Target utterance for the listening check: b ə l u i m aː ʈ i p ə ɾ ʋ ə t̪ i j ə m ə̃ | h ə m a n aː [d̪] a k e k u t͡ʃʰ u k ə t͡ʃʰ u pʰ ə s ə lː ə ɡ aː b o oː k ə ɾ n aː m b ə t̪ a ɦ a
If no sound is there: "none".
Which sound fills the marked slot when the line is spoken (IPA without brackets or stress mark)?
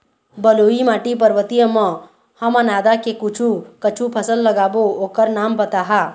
d̪